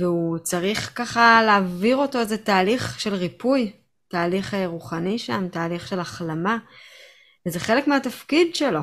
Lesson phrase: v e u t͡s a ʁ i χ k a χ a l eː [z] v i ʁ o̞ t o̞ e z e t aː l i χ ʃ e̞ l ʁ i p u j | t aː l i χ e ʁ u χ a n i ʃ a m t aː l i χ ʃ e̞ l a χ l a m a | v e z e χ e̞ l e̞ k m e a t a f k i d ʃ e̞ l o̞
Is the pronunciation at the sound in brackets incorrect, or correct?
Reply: incorrect